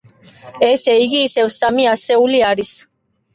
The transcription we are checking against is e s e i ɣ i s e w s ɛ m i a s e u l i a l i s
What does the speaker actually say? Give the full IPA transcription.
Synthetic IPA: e s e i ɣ i s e w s a m i a s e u l i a ɾ i s